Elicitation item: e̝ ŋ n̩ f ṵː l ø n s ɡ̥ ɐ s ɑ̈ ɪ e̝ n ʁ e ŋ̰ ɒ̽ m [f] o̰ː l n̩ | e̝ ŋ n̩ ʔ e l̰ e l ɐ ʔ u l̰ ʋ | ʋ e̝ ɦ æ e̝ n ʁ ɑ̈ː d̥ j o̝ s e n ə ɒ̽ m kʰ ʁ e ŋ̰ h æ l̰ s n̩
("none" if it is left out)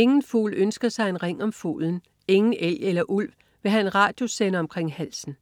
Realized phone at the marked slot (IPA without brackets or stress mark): f